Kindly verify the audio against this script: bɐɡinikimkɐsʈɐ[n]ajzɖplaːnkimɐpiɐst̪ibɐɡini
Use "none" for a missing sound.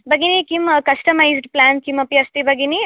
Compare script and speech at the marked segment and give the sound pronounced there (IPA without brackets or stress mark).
m